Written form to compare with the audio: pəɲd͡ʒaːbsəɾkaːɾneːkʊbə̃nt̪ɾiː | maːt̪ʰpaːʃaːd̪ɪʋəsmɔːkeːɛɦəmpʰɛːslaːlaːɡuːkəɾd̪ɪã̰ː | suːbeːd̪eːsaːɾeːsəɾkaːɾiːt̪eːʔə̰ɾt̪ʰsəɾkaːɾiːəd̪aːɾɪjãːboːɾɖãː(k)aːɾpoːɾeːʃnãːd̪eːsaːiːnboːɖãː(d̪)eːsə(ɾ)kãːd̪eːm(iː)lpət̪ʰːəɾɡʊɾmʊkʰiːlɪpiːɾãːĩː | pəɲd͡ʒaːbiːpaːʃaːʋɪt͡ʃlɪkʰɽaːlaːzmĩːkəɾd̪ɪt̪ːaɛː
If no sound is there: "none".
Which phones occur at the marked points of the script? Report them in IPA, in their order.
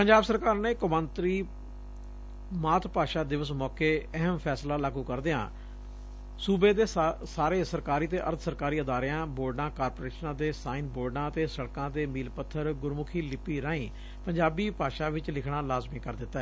k, t̪, ɽ, iː

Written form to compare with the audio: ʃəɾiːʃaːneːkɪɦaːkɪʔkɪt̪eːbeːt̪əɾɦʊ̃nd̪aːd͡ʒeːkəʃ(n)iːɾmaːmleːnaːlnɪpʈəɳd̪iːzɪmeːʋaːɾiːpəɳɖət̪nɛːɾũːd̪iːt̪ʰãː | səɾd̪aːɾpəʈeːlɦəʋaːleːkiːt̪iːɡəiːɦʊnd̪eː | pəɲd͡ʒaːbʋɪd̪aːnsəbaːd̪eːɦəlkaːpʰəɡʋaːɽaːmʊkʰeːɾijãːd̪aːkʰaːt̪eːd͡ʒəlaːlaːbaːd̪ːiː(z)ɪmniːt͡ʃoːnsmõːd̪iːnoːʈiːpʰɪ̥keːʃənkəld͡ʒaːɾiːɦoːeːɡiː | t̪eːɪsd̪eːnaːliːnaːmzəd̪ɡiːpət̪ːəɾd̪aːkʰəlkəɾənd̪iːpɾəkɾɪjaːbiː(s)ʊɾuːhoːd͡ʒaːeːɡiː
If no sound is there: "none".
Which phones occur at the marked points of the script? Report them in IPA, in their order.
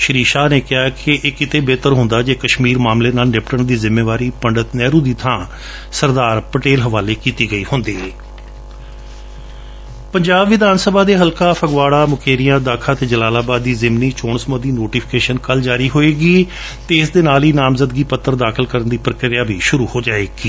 m, z, ʃ

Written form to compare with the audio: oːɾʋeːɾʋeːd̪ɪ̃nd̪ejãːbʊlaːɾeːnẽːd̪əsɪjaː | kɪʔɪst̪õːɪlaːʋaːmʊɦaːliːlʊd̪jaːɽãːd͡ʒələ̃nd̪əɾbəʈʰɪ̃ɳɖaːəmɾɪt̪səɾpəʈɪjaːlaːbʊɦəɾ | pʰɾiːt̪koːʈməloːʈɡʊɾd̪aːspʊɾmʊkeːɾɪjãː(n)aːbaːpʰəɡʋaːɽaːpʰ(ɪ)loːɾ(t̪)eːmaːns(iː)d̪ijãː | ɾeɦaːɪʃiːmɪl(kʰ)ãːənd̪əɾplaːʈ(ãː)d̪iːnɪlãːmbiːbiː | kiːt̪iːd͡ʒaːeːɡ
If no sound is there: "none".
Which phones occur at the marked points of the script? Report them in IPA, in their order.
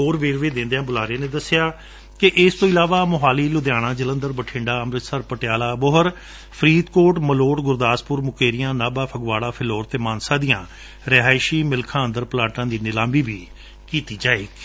n, ɪ, t̪, aː, kʰ, ãː

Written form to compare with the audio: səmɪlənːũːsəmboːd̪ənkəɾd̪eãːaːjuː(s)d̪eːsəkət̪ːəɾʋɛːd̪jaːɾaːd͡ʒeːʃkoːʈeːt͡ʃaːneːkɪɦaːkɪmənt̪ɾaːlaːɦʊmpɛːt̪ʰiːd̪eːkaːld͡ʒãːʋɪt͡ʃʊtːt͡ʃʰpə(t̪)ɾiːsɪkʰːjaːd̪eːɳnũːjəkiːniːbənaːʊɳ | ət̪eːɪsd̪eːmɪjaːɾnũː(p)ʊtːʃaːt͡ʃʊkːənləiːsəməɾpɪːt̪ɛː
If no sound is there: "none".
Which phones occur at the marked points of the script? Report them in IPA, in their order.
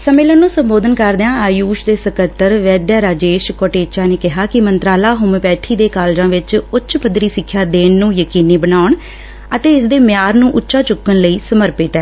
ʃ, d̪, ʔ

